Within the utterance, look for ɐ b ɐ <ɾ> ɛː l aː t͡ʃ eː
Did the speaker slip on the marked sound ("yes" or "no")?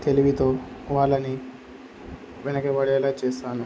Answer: yes